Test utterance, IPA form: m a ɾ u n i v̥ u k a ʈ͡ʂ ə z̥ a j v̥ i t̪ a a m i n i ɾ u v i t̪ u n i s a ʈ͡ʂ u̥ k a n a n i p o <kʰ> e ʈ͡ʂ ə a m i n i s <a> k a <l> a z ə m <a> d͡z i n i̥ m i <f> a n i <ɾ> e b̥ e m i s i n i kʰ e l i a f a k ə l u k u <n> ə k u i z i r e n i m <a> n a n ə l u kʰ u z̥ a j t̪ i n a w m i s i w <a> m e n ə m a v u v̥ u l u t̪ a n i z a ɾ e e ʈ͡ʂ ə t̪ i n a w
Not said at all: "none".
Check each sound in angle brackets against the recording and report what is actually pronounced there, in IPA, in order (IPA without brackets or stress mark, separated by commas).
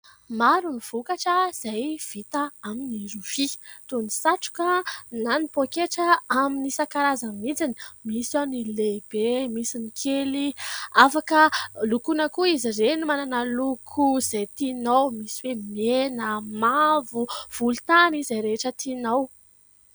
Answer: k, a, ɾ, i, s, l, n, a, e